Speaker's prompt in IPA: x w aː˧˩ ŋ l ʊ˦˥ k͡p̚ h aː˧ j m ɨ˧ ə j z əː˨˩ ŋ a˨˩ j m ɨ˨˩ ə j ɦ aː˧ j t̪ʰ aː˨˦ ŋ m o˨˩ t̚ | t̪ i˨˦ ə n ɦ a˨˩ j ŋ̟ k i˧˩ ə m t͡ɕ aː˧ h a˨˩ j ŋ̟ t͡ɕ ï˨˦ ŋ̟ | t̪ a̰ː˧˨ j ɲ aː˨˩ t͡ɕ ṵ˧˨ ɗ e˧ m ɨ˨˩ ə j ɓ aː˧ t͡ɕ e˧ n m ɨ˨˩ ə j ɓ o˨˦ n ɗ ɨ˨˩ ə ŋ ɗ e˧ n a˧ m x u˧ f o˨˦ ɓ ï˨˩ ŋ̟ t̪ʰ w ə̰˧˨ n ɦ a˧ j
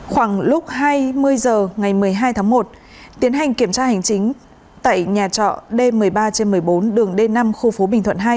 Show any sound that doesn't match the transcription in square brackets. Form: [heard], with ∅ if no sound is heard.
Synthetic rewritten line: x w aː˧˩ ŋ l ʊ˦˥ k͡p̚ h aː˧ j m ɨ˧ ə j z əː˨˩ ŋ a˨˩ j m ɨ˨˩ ə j ɦ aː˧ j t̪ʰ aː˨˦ ŋ m o˨˩ t̚ | t̪ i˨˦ ə n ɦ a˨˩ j ŋ̟ k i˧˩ ə m t͡ɕ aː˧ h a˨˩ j ŋ̟ t͡ɕ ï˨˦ ŋ̟ | t̪ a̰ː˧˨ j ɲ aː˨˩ t͡ɕ [ɔ̰˧˨] ɗ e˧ m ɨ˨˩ ə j ɓ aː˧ t͡ɕ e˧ n m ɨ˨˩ ə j ɓ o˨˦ n ɗ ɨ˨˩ ə ŋ ɗ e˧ n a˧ m x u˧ f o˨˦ ɓ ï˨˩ ŋ̟ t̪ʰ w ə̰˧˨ n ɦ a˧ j